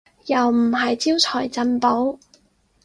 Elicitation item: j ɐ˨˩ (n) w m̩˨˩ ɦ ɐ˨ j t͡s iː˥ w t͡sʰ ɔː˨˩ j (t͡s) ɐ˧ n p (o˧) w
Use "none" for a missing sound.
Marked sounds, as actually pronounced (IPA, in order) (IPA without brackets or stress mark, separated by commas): none, t͡s, o˨˥